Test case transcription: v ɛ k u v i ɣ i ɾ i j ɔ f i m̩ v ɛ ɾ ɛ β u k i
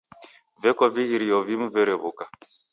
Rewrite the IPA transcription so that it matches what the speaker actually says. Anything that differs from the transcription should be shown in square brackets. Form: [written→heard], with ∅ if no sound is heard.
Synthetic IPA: v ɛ k [u→ɔ] v i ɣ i ɾ i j ɔ [f→v] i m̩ v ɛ ɾ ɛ β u k [i→a]